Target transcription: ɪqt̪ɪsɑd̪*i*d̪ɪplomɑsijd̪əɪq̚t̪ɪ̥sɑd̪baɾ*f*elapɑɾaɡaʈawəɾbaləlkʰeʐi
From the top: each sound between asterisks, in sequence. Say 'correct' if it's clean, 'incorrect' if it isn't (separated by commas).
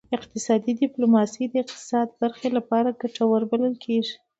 correct, incorrect